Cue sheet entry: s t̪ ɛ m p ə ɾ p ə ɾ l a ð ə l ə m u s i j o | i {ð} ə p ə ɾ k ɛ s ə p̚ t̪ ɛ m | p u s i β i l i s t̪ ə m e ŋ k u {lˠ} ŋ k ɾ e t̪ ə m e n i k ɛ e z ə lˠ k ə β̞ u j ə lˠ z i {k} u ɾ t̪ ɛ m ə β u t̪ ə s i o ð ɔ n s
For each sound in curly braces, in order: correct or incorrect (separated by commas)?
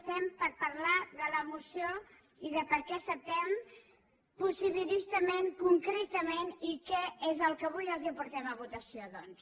correct, incorrect, incorrect